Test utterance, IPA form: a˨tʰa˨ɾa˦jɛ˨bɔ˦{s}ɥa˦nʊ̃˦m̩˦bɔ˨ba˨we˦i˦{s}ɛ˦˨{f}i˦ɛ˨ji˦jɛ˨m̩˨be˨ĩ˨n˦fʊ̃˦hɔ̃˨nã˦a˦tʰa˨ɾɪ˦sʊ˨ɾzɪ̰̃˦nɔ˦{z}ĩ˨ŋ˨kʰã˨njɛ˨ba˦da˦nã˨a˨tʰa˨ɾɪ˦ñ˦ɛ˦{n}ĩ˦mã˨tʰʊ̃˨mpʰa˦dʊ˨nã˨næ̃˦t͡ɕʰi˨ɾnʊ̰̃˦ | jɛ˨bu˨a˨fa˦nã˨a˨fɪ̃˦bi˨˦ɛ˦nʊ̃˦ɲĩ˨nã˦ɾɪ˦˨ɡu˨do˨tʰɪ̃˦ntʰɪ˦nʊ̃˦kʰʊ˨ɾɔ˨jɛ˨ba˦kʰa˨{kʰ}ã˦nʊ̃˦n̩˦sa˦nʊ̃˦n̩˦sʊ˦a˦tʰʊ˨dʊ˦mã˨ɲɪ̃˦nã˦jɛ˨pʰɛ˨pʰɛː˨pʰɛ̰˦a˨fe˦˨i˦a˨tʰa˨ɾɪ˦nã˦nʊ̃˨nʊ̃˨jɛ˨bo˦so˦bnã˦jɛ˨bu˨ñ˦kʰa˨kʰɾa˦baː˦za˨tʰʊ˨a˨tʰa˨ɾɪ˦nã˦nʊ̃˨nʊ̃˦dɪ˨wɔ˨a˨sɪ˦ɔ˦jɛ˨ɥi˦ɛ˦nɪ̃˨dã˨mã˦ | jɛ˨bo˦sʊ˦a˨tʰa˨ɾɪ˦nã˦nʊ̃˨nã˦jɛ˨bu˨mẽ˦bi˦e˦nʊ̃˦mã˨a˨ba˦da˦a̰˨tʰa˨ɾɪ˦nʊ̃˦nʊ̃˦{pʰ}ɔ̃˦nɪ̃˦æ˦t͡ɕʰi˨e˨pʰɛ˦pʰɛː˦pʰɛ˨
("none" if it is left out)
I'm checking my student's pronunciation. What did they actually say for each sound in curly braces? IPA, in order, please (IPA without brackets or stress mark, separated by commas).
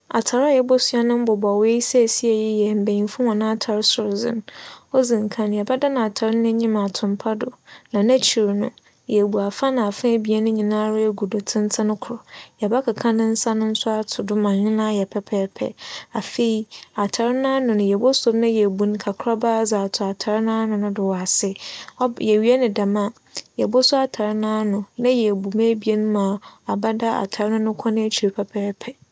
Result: s, s, s, z, ɲ, kʰ, kʰ